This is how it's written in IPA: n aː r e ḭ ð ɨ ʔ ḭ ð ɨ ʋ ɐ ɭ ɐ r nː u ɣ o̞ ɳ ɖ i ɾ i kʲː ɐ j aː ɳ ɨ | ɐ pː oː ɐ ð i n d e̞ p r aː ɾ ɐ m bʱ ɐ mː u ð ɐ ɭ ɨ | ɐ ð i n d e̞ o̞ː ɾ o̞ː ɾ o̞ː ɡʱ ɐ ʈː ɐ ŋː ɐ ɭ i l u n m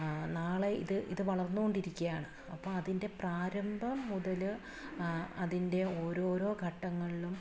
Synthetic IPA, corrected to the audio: n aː ɭ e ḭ ð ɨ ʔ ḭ ð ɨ ʋ ɐ ɭ ɐ r nː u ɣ o̞ ɳ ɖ i ɾ i kʲː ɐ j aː ɳ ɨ | ɐ pː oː ɐ ð i n d e̞ p r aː ɾ ɐ m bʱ ɐ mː u ð ɐ l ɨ | ɐ ð i n d e̞ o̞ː ɾ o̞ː ɾ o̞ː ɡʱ ɐ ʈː ɐ ŋː ɐ ɭ i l u m

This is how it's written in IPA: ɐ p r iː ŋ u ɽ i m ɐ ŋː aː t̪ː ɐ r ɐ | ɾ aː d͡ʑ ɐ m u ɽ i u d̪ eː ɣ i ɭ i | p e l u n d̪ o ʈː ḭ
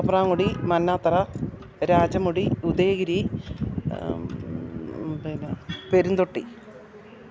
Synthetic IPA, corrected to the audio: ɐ p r aː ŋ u ɽ i m ɐ nː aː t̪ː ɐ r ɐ | ɾ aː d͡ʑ ɐ m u ɽ i u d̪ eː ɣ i ɾ i | p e ɾ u n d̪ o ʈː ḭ

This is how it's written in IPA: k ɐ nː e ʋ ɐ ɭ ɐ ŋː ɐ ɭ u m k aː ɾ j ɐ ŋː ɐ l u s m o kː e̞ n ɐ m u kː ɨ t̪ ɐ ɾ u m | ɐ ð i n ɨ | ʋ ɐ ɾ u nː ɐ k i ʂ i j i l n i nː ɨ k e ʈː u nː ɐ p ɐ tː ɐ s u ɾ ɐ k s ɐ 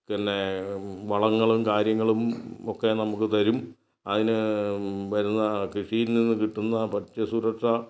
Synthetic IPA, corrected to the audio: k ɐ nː e ʋ ɐ ɭ ɐ ŋː ɐ ɭ u m k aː ɾ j ɐ ŋː ɐ ɭ u m o kː e̞ n ɐ m u kː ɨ t̪ ɐ ɾ u m | ɐ ð i n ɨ | ʋ ɐ ɾ u nː ɐ k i ʂ i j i l n i nː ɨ k i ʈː u nː ɐ p ɐ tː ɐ s u ɾ ɐ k ʂ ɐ

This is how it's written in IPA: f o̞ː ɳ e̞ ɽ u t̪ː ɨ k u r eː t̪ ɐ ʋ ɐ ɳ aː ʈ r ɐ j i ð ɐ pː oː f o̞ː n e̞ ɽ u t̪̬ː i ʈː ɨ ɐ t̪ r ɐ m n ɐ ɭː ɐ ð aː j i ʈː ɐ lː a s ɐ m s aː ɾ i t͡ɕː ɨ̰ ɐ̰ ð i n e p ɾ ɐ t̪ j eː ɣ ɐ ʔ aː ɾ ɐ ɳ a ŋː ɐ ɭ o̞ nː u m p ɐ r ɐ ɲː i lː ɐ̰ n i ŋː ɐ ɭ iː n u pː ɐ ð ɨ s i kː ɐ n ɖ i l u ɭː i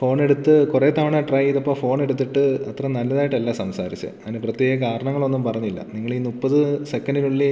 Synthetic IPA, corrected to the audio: f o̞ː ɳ e̞ ɽ u t̪ː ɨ k u r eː t̪ ɐ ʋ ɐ ɳ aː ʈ r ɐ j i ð ɐ pː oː f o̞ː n e̞ ɽ u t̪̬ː i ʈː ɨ ɐ t̪ r ɐ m n ɐ lː ɐ ð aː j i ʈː ɐ lː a s ɐ m s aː ɾ i t͡ɕː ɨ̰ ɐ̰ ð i n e p r ɐ t̪ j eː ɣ ɐ k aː ɾ ɐ ɳ ɐ ŋː ɐ ɭ o̞ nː u m p ɐ r ɐ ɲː i lː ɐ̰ n i ŋː ɐ ɭ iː n u pː ɐ ð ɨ s e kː ɐ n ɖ i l u ɭː i

